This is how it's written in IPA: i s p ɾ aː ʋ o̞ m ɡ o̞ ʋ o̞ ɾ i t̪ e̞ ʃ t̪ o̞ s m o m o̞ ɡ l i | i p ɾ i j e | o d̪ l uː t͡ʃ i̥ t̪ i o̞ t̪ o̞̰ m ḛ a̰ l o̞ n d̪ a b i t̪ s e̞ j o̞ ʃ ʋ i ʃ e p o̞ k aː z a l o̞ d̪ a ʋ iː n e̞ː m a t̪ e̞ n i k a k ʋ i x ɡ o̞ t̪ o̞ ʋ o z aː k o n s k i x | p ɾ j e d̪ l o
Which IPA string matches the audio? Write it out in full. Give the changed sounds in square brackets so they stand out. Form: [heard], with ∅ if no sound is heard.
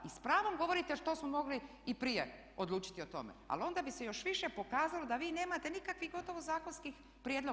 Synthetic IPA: i s p ɾ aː ʋ o̞ m ɡ o̞ ʋ o̞ ɾ i t̪ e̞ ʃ t̪ o̞ s m o m o̞ ɡ l i | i p ɾ i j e | o d̪ l uː t͡ʃ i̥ t̪ i o̞ t̪ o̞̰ m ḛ a̰ l o̞ n d̪ a b i [∅] s e̞ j o̞ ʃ ʋ i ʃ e p o̞ k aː z a l o̞ d̪ a ʋ iː n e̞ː m a t̪ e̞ n i k a k ʋ i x ɡ o̞ t̪ o̞ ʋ o z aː k o n s k i x | p ɾ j e d̪ l o